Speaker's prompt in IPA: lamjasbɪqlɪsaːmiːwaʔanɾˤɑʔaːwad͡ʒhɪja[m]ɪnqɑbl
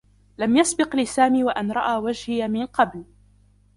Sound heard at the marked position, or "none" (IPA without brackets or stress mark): m